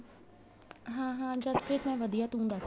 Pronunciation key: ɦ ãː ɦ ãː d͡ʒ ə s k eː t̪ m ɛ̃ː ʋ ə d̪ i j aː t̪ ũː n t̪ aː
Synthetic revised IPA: ɦ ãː ɦ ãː d͡ʒ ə s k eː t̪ m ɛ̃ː ʋ ə d̪ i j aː t̪ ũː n d̪ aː